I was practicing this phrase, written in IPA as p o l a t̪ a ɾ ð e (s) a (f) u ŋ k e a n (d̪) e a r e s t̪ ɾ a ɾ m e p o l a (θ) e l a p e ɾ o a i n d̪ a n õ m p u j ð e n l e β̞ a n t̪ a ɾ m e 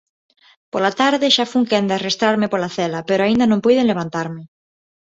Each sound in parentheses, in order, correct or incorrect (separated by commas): incorrect, correct, correct, correct